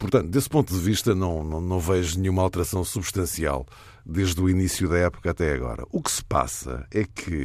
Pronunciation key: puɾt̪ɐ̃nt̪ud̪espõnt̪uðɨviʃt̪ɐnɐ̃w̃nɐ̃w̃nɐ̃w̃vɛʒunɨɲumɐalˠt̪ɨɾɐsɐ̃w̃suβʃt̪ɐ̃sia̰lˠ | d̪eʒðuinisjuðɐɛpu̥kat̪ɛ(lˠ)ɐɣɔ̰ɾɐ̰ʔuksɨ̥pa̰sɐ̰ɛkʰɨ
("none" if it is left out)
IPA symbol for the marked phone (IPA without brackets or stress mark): none